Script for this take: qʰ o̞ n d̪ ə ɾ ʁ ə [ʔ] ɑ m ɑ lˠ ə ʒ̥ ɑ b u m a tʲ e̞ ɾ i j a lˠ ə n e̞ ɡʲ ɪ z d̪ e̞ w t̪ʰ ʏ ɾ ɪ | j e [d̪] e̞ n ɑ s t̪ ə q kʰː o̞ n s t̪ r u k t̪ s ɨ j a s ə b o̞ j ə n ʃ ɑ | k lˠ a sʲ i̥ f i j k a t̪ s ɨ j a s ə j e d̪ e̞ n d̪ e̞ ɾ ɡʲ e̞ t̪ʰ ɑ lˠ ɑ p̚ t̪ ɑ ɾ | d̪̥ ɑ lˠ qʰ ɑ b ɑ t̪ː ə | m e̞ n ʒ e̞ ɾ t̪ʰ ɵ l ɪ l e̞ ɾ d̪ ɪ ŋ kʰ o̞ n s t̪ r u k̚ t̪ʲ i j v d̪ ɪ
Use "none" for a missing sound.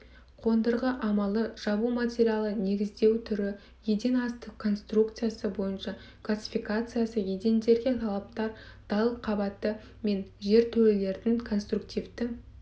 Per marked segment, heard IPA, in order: ʔ, d̪

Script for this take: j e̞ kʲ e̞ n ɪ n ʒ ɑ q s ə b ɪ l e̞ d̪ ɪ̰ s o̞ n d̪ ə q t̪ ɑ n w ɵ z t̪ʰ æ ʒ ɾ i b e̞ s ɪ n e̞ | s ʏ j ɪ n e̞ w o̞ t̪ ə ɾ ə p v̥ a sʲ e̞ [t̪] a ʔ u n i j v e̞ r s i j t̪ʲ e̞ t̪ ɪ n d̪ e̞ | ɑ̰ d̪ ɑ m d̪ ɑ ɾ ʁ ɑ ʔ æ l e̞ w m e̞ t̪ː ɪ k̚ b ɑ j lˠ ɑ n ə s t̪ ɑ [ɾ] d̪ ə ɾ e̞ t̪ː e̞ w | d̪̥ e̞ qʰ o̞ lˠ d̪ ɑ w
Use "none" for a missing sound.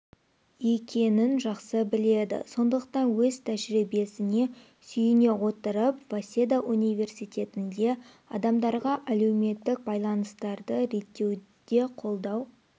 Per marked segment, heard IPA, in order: d̪, ɾ

